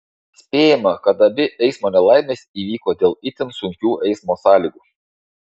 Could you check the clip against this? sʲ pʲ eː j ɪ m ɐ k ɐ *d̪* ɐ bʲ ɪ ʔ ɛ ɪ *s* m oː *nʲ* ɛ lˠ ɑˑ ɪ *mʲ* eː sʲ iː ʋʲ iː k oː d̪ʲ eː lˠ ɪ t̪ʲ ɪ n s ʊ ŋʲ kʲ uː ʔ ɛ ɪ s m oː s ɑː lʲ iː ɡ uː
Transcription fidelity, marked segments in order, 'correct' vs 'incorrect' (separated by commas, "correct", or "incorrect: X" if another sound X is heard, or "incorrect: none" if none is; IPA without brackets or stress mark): incorrect: t̪, correct, correct, correct